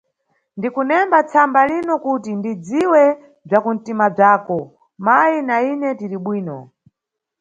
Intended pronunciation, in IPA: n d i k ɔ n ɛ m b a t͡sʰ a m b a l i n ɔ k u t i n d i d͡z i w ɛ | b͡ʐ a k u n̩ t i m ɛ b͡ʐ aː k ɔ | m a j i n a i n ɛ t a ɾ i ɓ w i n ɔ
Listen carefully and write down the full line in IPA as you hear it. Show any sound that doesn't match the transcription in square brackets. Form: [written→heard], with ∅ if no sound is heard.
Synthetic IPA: n d i k [ɔ→u] n ɛ m b a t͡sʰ a m b a l i n ɔ k u t i n d i d͡z i w ɛ | b͡ʐ a k u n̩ t i m [ɛ→a] b͡ʐ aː k ɔ | m a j i n a i n ɛ t [a→i] ɾ i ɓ w [i→iː] n ɔ

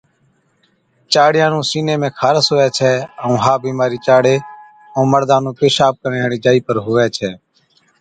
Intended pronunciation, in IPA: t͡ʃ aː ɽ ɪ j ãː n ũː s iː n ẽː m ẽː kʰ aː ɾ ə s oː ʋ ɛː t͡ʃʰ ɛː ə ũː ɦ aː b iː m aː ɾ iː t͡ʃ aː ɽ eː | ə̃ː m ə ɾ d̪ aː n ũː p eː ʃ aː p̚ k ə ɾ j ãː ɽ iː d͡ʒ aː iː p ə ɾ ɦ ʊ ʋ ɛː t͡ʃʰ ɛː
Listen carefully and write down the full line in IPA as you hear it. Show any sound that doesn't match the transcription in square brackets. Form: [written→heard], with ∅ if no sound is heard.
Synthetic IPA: t͡ʃ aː ɽ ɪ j ãː n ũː s iː n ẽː m ẽː kʰ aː ɾ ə s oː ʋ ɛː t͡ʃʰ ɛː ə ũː ɦ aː b iː m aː ɾ iː t͡ʃ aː ɽ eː | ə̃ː m ə ɾ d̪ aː n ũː p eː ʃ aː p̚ k ə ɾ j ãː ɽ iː d͡ʒ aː iː p ə ɾ ɦ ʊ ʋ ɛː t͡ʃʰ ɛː

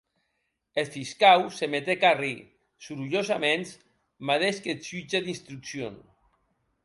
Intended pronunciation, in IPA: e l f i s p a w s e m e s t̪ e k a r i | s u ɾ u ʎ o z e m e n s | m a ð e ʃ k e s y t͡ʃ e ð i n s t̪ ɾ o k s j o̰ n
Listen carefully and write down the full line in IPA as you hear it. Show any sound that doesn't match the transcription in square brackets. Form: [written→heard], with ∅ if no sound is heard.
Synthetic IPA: e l f i s [p→k] a w s e m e [s→∅] t̪ e k a r i | s u ɾ u ʎ o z [e→a] m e n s | m a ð e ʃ k e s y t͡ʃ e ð i n s t̪ ɾ [o→u] k s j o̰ n

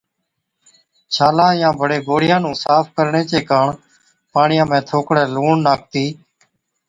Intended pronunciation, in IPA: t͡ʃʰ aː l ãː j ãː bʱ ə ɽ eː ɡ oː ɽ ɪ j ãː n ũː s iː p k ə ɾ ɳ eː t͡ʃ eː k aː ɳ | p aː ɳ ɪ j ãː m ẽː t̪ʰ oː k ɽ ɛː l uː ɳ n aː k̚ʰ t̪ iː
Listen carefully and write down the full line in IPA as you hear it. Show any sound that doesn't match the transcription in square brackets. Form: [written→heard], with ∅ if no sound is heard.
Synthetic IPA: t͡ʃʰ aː l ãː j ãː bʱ ə ɽ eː ɡ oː ɽ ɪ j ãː n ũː s [iː→aː] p k ə ɾ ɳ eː t͡ʃ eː k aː ɳ | p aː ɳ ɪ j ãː m ẽː t̪ʰ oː k ɽ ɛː l uː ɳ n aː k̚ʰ t̪ iː

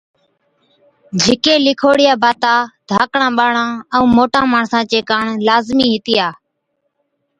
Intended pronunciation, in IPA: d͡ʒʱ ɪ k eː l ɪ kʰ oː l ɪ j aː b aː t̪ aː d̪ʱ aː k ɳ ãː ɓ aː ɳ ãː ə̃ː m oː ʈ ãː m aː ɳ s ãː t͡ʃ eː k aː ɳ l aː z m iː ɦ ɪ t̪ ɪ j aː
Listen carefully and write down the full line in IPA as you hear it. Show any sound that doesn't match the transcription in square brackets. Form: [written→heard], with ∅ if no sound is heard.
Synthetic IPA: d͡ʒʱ ɪ k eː l ɪ kʰ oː [l→ɽ] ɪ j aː b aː t̪ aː d̪ʱ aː k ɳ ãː ɓ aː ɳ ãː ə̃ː m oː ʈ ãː m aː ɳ s ãː t͡ʃ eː k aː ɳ l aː z m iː ɦ ɪ t̪ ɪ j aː

